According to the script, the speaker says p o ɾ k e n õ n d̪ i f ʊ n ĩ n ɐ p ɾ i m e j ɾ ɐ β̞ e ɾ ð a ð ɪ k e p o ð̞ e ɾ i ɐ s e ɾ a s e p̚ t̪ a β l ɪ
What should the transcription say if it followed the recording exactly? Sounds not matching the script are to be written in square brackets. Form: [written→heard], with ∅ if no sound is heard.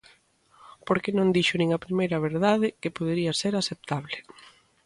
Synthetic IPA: p o ɾ k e n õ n d̪ i [f→ʃ] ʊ n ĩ [n→ŋ] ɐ p ɾ i m e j ɾ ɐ β̞ e ɾ ð a ð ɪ k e p o ð̞ e ɾ i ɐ s e ɾ a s e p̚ t̪ a β l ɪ

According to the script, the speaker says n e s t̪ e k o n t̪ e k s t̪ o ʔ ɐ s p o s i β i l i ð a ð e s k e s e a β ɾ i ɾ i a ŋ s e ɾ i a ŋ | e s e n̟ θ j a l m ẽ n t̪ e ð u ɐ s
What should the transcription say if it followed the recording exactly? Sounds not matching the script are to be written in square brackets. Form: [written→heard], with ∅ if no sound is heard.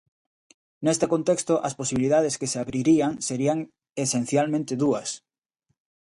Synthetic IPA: n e s t̪ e k o n t̪ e k s t̪ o ʔ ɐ s p o s i β i l i ð a ð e s k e s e a β ɾ i ɾ i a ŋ s e ɾ i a ŋ | e s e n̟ θ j a l m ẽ n t̪ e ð u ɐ s

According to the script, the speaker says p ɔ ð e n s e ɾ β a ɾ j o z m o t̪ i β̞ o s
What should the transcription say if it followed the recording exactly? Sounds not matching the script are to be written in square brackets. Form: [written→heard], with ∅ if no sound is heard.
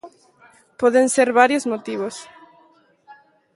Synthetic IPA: p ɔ ð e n s e ɾ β a ɾ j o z m o t̪ i β̞ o s

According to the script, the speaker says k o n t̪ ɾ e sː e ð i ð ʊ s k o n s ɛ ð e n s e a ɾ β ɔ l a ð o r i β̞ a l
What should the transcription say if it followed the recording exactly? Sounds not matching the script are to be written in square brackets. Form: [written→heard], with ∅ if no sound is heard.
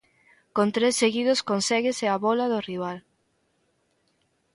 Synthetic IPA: k o n t̪ ɾ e sː e [ð→ɣ] i ð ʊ s k o n s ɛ [ð→ɣ] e [n→∅] s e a [ɾ→∅] β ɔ l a ð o r i β̞ a l

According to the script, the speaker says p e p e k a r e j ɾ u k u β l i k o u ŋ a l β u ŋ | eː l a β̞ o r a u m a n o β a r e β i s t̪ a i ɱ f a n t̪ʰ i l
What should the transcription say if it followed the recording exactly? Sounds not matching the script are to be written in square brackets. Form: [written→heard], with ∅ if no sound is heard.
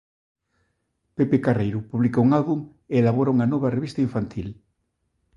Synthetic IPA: p e p e k a r e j ɾ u [k→p] u β l i k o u ŋ a l β u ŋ | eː l a β̞ o [r→ɾ] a u [m→ŋ] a n o β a r e β i s t̪ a i ɱ f a n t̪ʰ i l

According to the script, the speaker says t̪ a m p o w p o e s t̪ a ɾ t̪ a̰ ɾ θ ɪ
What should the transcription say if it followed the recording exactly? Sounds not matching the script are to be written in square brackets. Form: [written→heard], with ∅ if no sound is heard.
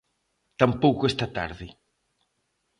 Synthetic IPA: t̪ a m p o w [p→k] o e s t̪ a [ɾ→∅] t̪ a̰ ɾ [θ→ð] ɪ

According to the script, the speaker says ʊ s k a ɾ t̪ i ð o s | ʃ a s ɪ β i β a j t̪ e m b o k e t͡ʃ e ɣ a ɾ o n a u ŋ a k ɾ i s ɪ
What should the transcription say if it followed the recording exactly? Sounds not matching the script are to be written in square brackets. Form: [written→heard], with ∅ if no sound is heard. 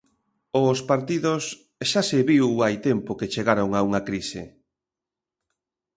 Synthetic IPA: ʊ s [k→p] a ɾ t̪ i ð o s | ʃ a s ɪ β i [β→w] a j t̪ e m [b→p] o k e t͡ʃ e ɣ a ɾ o [n→ŋ] a u ŋ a k ɾ i s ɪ

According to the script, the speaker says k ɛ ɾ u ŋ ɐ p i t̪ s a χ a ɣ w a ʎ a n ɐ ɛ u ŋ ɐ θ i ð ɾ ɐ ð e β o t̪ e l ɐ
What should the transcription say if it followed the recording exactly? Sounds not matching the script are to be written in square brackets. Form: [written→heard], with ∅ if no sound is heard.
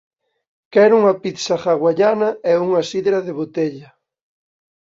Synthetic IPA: k ɛ ɾ u ŋ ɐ p i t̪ s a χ a ɣ w a ʎ a n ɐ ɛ u ŋ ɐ [θ→s] i ð ɾ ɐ ð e β o t̪ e [l→ʎ] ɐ

